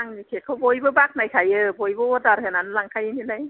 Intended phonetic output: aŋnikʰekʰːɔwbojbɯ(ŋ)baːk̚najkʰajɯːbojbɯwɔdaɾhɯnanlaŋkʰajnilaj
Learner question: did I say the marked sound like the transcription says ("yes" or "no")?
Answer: no